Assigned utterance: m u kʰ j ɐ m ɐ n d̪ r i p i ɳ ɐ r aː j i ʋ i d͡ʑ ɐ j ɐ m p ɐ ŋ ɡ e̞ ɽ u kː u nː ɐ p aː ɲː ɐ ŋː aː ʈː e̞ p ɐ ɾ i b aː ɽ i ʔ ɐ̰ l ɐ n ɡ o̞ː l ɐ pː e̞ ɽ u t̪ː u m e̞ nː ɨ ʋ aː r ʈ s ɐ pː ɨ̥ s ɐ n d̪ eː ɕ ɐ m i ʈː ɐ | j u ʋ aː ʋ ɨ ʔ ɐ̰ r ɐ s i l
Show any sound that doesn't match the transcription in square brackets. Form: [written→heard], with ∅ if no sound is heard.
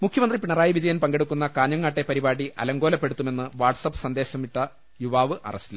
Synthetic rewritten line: m u kʰ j ɐ m ɐ n d̪ r i p i ɳ ɐ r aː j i ʋ i d͡ʑ ɐ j ɐ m p ɐ ŋ ɡ e̞ ɽ u kː u nː ɐ [p→k] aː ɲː ɐ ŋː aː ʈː e̞ p ɐ ɾ i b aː ɽ i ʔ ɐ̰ l ɐ [n→ŋ] ɡ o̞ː l ɐ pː e̞ ɽ u t̪ː u m e̞ nː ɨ ʋ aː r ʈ s ɐ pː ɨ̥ s ɐ n d̪ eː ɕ ɐ m i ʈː ɐ | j u ʋ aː ʋ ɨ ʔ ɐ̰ r ɐ s i l